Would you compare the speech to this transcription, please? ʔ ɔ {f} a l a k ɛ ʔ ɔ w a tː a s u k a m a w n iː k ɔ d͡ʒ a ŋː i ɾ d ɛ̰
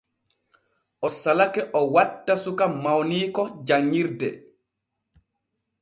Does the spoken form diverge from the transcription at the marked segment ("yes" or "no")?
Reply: yes